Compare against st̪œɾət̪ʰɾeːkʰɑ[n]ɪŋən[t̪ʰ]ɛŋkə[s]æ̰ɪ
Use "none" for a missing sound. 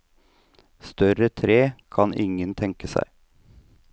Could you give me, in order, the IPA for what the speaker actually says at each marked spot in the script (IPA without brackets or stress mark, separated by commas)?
n, t̪ʰ, s